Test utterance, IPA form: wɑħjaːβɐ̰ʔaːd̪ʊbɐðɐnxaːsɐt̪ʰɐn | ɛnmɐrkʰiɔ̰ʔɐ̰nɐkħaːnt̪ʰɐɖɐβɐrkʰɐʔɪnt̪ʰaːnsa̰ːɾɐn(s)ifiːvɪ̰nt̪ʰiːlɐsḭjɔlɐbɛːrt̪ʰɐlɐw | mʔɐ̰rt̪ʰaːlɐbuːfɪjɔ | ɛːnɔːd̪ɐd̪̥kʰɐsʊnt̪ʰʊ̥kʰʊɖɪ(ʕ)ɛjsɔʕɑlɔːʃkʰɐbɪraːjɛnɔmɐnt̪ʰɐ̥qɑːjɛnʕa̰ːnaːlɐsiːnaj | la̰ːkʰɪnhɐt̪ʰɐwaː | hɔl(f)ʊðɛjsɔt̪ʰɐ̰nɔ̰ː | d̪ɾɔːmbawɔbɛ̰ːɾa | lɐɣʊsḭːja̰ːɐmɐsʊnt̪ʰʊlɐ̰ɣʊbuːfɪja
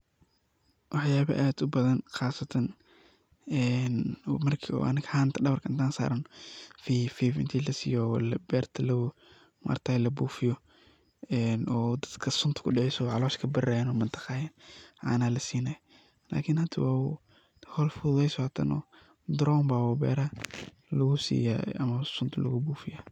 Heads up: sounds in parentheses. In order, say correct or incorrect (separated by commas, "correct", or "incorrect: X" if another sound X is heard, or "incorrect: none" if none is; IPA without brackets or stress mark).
incorrect: f, correct, correct